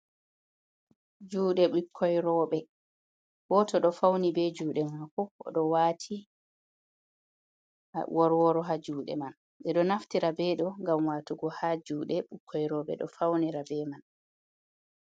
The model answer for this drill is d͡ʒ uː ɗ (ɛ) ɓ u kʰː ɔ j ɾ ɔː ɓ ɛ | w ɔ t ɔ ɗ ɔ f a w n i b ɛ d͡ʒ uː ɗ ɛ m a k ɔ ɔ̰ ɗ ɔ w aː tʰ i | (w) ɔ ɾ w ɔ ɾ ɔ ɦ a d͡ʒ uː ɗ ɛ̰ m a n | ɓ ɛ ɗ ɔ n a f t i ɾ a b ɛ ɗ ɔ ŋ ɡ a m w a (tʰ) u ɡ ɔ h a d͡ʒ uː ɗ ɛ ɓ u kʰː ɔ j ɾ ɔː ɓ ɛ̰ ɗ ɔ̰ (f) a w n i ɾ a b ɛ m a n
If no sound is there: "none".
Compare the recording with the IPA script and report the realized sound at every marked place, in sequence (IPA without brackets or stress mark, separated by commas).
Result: ɛ, w, t, f